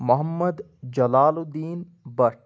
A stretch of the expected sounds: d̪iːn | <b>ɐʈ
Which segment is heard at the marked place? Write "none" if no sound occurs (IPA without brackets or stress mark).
b